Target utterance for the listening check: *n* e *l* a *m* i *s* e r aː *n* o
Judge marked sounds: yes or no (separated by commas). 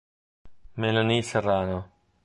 no, yes, no, yes, yes